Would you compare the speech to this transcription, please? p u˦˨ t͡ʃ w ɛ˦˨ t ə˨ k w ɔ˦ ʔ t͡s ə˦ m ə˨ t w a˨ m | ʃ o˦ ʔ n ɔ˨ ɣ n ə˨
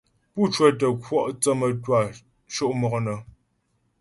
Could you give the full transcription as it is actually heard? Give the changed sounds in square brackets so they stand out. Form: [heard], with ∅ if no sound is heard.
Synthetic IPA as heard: p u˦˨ t͡ʃ w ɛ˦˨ t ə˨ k w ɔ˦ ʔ t͡s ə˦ m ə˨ t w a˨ [∅] | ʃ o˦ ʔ [m] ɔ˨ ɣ n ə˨